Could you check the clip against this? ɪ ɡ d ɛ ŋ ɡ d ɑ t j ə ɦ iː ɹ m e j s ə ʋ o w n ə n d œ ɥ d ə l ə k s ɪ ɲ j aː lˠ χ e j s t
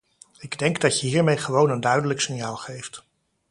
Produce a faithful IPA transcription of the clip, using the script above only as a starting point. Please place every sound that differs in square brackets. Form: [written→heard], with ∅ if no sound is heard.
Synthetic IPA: ɪ ɡ d ɛ ŋ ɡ d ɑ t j ə ɦ iː ɹ m e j [s→χ] ə ʋ o w n ə n d œ ɥ d ə l ə k s ɪ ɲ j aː lˠ χ e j [s→f] t